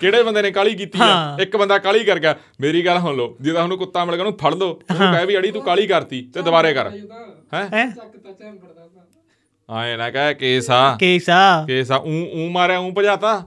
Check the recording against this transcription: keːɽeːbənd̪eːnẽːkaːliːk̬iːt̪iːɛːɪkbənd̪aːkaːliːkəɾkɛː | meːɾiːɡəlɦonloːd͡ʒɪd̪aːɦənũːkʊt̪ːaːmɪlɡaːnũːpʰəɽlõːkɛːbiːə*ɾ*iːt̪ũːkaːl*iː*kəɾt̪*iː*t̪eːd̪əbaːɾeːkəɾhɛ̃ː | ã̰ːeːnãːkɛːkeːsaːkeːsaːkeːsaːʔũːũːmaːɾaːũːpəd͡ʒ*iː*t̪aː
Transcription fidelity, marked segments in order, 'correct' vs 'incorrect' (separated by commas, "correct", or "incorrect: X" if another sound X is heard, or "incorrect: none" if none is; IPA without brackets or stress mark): incorrect: ɽ, correct, correct, incorrect: aː